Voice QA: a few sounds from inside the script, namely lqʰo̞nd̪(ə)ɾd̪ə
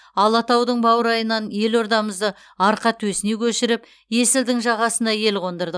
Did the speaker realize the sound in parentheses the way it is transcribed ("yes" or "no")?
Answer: yes